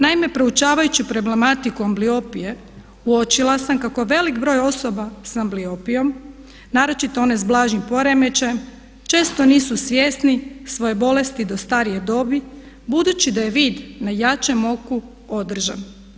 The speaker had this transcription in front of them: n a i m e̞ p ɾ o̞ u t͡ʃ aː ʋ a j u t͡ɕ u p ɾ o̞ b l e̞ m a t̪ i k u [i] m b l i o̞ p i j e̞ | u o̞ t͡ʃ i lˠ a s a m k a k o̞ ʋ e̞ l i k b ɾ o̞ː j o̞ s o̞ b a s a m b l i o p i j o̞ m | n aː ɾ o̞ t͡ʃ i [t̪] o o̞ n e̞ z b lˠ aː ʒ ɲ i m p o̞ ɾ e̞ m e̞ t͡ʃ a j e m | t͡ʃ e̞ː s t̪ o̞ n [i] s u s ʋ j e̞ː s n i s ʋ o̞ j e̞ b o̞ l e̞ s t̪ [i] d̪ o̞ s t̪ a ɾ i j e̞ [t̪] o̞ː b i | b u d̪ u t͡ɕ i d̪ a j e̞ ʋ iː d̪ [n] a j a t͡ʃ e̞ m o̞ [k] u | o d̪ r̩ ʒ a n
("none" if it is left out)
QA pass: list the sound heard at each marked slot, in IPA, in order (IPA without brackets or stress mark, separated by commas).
a, t̪, iː, i, d̪, n, k